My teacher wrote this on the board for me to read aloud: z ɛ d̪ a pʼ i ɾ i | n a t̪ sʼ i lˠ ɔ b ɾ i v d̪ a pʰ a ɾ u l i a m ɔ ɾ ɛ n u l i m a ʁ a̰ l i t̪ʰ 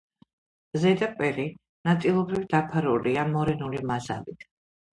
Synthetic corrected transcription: z ɛ d̪ a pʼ ɛ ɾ i | n a t̪ sʼ i lˠ ɔ b ɾ i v d̪ a pʰ a ɾ u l i a m ɔ ɾ ɛ n u l i m a z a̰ l i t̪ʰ